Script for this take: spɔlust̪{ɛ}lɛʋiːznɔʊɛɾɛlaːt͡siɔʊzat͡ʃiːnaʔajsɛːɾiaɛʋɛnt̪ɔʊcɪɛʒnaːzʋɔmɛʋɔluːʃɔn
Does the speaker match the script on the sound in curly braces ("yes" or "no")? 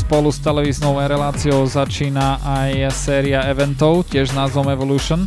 yes